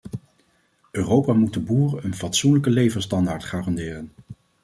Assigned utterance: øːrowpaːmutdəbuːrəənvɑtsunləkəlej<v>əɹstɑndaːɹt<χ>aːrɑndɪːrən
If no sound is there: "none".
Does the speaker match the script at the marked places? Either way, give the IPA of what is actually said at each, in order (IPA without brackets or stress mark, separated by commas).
v, χ